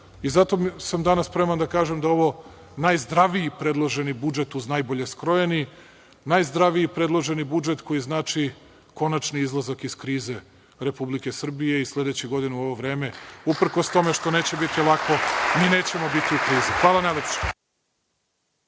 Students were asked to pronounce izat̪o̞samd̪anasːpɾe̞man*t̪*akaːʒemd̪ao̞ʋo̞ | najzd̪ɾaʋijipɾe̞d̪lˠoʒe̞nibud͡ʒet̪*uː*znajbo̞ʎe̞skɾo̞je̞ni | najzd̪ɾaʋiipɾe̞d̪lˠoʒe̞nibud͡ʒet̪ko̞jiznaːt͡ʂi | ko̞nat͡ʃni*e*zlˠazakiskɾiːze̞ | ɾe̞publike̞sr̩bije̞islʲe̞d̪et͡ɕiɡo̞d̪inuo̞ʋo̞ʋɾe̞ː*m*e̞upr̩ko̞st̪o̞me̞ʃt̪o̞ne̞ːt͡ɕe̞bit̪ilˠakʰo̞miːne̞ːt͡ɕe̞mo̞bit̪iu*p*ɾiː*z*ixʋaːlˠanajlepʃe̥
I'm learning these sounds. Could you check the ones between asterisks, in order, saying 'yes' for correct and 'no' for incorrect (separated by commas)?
no, no, no, yes, no, yes